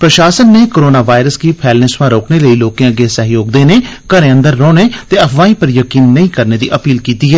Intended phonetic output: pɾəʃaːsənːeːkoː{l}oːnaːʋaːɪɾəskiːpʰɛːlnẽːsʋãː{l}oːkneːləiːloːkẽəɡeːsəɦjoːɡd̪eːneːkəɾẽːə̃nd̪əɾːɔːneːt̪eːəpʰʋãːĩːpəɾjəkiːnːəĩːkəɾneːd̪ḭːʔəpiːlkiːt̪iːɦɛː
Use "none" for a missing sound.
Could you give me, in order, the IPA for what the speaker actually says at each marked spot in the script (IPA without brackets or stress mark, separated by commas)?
ɾ, ɾ